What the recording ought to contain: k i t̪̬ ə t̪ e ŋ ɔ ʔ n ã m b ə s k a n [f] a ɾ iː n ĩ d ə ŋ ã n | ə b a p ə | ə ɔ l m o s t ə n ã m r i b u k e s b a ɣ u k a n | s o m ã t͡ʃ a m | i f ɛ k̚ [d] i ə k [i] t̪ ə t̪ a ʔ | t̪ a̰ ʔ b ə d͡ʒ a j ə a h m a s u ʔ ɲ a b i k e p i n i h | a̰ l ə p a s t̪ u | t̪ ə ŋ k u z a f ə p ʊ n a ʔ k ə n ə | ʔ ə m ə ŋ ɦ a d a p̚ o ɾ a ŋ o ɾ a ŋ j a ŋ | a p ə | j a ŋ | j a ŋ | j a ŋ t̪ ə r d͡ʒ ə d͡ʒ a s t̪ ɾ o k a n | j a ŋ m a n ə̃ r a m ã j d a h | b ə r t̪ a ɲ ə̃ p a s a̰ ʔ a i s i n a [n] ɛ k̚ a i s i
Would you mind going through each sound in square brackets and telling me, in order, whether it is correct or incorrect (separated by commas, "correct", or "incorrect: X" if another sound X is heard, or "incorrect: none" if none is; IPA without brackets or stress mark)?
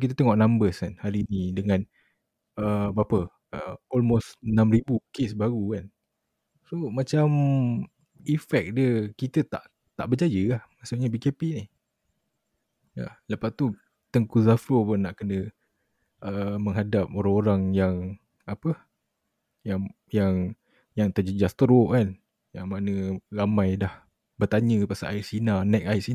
incorrect: h, correct, correct, correct